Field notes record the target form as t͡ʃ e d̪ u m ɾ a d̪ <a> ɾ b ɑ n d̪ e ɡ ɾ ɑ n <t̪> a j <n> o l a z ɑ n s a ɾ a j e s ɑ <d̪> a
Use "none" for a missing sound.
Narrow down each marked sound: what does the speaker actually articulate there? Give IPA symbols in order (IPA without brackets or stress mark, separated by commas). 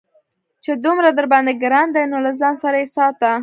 ə, d̪, n, t̪